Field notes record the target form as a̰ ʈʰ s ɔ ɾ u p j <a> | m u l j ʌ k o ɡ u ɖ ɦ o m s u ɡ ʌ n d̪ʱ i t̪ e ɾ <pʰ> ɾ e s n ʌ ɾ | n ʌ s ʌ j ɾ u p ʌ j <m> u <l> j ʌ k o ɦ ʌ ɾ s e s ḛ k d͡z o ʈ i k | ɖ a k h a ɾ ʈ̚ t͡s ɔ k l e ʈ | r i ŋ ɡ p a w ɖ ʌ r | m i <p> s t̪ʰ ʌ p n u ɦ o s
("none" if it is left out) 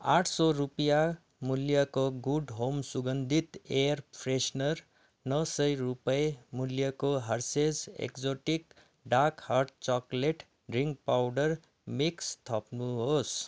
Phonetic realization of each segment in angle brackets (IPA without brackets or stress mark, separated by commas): a, pʰ, m, l, k